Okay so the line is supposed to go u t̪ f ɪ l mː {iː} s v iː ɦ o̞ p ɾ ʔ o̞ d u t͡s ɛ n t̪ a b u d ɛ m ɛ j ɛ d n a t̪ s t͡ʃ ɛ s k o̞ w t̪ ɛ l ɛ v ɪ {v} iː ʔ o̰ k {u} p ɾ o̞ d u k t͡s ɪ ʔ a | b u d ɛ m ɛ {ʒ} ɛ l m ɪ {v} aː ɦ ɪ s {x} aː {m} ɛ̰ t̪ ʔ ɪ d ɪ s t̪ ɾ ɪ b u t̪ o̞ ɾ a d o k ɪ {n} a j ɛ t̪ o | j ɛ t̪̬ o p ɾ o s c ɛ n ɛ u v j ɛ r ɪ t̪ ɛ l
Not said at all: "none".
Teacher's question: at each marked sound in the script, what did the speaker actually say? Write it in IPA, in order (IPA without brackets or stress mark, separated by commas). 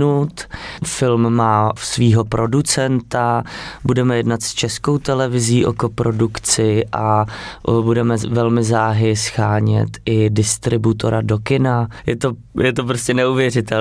aː, z, o, v, z, x, ɲ, n